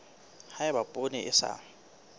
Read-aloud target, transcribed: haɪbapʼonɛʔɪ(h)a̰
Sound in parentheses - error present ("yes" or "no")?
yes